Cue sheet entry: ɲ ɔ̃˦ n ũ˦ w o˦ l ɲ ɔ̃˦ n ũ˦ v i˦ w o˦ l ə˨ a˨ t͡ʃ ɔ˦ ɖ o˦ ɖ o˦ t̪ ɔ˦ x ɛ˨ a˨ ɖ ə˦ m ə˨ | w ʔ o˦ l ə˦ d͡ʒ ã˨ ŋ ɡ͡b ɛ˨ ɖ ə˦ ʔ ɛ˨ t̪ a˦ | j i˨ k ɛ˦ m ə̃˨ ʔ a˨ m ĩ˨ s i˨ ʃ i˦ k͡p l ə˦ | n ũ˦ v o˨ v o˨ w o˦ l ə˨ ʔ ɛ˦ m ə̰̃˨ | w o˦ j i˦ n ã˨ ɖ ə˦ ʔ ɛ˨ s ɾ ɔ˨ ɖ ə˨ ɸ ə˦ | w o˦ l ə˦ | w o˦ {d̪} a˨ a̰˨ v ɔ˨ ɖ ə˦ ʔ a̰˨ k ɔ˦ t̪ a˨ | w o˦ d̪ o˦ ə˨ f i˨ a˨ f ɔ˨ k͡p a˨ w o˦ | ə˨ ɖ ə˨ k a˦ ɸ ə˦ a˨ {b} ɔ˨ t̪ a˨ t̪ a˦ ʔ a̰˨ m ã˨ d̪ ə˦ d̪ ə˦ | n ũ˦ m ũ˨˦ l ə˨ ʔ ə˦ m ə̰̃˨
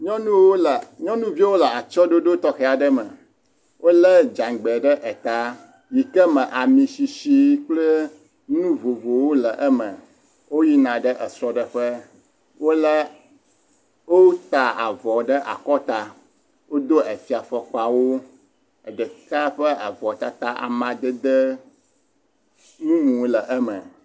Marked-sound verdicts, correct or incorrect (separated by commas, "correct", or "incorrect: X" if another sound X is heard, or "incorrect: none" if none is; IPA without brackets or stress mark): incorrect: t̪, incorrect: v